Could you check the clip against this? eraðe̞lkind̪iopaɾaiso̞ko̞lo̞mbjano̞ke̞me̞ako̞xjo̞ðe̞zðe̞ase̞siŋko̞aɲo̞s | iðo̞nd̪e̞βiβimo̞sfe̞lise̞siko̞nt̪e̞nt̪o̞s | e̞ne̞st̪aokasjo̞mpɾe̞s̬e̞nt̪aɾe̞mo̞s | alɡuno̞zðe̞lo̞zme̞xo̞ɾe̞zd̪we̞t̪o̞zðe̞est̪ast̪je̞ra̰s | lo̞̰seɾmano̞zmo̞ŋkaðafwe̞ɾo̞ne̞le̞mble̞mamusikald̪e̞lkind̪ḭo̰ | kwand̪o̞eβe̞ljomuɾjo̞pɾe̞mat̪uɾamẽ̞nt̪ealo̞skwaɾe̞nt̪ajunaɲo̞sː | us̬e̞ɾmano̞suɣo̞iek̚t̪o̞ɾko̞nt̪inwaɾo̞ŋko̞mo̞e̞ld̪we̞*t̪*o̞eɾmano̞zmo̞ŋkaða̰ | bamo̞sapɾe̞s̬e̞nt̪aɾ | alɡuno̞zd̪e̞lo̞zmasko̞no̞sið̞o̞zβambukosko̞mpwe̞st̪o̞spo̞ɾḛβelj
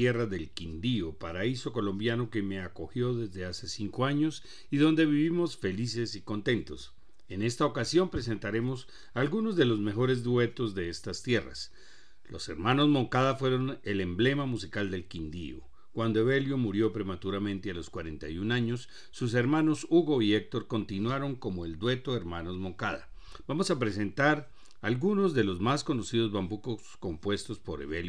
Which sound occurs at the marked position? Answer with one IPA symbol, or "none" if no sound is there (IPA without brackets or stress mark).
t̪